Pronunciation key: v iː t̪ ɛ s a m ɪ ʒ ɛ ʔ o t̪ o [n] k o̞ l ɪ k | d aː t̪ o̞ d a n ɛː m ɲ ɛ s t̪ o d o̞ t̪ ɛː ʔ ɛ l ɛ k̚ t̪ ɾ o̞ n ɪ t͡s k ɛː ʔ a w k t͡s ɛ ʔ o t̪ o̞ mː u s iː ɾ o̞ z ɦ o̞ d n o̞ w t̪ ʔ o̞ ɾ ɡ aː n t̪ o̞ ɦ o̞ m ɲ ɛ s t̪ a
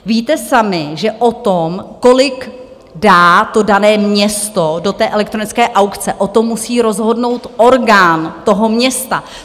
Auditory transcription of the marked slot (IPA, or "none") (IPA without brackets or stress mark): m